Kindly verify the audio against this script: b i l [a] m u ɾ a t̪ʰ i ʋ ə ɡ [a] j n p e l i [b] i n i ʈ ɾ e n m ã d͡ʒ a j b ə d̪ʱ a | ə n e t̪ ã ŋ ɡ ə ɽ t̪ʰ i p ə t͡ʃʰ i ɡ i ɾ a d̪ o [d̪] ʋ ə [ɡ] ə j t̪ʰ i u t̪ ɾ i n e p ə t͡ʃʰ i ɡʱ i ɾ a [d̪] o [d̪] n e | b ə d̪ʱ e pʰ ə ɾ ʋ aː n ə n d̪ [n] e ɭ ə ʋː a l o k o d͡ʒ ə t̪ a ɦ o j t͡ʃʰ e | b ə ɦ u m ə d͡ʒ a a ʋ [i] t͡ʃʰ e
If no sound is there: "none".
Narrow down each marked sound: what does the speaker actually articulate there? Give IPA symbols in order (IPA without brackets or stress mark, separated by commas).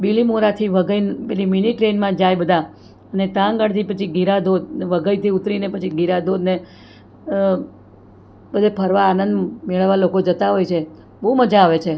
i, ə, m, d̪, ɡ, d̪, d̪, m, e